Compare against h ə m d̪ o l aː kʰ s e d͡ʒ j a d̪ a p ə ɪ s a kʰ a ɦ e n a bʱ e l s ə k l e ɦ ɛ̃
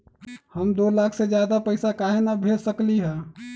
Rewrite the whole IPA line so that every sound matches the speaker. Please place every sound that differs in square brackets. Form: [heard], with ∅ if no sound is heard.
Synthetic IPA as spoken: h ə m d̪ o l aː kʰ s e d͡ʒ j a d̪ a p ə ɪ s a [k] a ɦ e n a bʱ e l s ə k l [i] ɦ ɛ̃